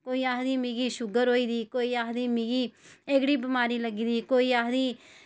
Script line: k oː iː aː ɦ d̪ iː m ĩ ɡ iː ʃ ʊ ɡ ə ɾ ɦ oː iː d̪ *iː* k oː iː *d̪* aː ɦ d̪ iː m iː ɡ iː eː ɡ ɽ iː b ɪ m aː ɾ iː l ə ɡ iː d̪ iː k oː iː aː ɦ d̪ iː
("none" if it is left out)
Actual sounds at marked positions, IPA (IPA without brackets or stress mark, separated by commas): iː, none